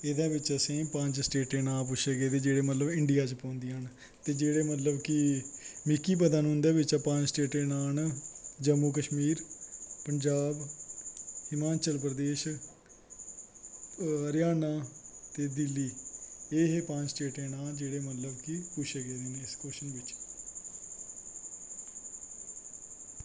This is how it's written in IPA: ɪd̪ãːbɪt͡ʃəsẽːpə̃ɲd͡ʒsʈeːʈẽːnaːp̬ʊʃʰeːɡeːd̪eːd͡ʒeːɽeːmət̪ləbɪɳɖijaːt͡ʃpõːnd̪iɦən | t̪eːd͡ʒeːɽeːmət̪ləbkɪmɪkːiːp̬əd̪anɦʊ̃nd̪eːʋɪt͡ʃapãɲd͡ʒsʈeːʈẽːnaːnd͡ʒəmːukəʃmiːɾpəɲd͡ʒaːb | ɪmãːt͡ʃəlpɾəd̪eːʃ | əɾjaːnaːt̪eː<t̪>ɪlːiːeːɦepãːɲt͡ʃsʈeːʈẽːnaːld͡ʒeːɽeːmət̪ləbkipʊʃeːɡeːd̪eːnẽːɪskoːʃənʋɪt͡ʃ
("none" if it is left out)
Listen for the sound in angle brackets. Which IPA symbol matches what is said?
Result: d̪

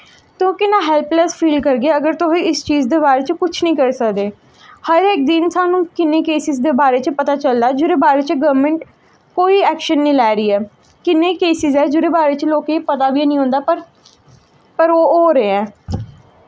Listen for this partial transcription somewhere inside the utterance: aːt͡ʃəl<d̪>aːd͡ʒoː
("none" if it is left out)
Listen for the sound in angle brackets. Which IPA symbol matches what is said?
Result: d̪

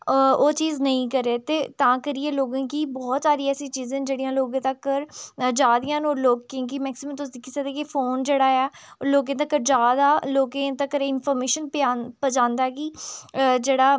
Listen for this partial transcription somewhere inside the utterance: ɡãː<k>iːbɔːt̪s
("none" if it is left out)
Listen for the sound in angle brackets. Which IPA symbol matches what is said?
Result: k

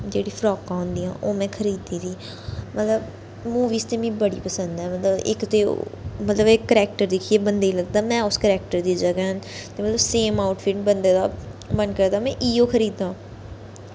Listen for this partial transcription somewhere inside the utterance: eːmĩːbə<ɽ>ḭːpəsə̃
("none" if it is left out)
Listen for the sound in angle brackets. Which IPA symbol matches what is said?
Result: ɽ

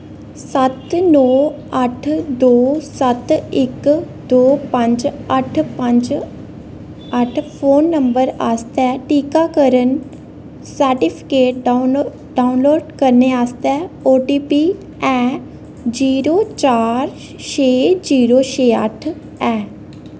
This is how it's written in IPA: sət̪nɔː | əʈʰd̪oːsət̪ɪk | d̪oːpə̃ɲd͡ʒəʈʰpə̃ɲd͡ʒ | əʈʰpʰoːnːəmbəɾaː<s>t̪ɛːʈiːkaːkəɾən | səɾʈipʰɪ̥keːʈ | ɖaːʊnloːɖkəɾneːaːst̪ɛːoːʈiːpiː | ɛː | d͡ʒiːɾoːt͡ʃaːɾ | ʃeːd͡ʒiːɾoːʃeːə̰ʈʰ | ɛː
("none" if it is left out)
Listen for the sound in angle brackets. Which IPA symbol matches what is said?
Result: s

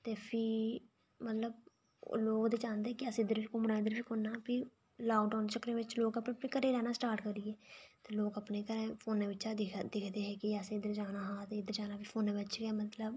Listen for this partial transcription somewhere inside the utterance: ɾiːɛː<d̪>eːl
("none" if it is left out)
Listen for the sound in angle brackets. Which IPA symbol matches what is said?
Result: t̪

